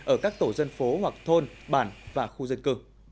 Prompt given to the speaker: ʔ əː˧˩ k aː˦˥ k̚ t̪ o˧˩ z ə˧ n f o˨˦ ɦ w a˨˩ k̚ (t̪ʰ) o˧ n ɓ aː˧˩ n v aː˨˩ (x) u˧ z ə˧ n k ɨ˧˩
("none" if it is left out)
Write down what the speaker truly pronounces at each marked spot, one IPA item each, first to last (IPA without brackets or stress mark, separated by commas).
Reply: t̪ʰ, x